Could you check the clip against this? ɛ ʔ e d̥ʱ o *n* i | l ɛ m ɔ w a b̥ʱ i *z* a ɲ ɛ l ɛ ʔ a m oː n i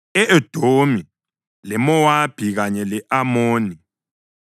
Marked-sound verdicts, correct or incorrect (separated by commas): incorrect, incorrect